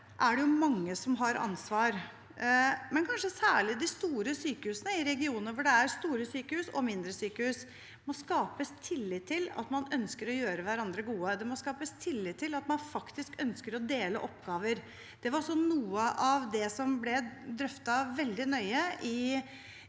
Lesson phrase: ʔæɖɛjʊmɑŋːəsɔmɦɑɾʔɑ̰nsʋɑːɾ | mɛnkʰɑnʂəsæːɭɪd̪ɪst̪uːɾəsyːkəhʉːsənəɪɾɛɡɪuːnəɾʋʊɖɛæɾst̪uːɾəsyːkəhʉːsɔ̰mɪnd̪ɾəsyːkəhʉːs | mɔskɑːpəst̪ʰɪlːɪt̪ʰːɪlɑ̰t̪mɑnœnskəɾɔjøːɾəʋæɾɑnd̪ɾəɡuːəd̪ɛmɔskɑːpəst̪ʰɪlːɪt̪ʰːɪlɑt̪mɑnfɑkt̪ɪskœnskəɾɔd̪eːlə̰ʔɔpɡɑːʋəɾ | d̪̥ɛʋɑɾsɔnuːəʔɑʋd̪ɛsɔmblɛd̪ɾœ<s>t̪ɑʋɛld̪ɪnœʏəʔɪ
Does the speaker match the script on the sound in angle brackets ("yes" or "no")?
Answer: no